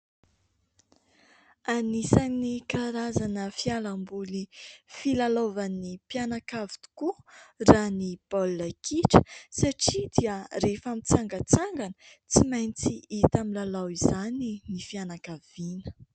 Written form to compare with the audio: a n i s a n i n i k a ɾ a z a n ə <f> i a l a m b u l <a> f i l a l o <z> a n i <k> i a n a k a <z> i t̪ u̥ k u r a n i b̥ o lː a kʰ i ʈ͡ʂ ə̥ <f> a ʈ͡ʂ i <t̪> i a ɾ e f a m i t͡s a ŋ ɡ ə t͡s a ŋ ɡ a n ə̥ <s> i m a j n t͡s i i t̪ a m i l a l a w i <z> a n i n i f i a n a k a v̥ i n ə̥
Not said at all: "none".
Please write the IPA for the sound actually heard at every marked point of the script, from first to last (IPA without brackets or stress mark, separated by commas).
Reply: f, i, v, p, v, s, d̪, t͡s, z